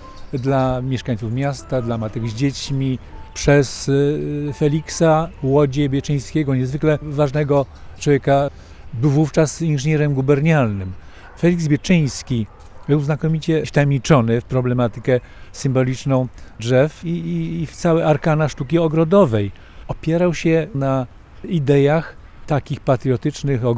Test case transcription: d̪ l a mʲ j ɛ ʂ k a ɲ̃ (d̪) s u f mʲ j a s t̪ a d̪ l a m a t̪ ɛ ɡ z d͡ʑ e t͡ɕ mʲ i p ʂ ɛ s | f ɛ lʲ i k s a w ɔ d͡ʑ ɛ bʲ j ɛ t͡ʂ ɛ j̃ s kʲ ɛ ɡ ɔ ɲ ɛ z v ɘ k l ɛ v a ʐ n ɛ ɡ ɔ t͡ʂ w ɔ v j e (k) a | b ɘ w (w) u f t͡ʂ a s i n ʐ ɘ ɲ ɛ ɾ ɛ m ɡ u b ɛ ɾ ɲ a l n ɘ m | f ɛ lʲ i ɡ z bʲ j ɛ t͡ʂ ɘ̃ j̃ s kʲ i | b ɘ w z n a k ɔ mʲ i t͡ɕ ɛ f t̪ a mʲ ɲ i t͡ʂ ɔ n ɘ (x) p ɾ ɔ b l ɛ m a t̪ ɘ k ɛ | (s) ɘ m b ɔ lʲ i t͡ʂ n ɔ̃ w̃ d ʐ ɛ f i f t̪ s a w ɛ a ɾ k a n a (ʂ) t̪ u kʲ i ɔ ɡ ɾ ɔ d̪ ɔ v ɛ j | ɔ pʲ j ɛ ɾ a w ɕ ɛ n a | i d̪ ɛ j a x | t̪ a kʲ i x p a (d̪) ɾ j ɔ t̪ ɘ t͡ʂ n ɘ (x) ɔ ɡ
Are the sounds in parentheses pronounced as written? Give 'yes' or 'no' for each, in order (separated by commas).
no, yes, no, no, yes, yes, no, yes